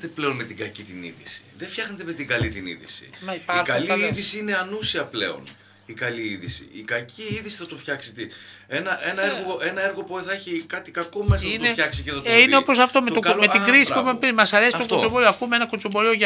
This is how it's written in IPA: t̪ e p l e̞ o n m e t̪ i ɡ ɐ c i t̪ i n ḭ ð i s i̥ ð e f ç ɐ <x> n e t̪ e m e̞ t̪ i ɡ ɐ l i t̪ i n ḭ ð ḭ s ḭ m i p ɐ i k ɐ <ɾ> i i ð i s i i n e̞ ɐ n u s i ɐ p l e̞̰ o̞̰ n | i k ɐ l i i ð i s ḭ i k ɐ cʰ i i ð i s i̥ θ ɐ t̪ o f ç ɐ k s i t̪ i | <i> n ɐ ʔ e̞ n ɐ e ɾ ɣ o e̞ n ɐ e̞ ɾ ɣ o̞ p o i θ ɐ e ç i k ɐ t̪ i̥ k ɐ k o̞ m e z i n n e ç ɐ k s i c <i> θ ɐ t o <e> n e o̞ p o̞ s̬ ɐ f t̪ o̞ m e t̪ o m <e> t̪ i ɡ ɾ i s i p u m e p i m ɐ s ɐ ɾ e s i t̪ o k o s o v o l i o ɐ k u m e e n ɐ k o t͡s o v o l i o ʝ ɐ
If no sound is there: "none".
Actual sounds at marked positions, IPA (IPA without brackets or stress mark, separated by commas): x, l, e, e, i, e